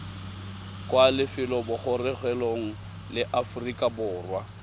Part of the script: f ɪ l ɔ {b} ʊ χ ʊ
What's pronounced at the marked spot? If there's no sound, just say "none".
b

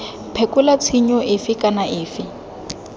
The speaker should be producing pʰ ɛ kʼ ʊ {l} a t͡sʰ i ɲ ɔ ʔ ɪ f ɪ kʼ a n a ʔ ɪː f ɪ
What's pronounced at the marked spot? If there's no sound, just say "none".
l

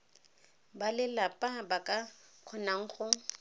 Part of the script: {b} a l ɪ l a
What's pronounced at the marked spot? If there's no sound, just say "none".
b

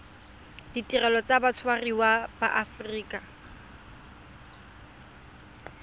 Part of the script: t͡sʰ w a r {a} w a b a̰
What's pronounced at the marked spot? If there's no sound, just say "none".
i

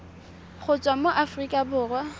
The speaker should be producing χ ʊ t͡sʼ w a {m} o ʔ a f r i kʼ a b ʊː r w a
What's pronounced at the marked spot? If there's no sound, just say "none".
m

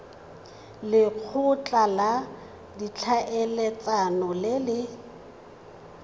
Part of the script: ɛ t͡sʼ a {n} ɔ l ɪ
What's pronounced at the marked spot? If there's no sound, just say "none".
n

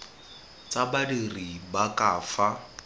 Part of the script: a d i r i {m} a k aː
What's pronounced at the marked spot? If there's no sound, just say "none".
b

